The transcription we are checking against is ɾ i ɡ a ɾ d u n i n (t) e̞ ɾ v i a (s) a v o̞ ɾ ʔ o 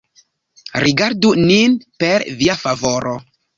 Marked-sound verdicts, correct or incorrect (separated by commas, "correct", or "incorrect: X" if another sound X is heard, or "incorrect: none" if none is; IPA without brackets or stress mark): incorrect: p, incorrect: f